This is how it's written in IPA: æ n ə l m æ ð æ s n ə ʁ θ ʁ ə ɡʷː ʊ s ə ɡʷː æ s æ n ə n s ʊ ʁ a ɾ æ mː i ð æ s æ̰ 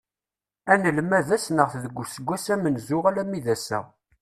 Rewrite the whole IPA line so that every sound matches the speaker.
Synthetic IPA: æ n ə l m æ ð æ s n ə ʁ θ ð ə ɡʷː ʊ s ə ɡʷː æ s æ m ə n z ʊ ʁ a l æ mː i ð æ s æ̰